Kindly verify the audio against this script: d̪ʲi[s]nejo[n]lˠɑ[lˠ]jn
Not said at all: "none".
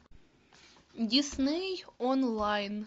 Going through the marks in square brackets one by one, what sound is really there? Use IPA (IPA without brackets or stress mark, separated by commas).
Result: s, n, none